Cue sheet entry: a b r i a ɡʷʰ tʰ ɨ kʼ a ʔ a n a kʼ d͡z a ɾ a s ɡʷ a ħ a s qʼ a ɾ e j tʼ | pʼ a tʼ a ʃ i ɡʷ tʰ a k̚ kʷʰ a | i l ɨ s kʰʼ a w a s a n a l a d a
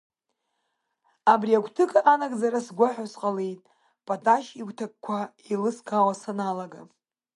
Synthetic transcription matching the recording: a b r i a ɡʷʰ tʰ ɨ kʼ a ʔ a n a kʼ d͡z a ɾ a s ɡʷ a ħ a s qʼ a l e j tʼ | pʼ a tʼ a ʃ i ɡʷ tʰ a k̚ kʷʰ a | i l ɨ s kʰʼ a w a s a n a l a ɡ a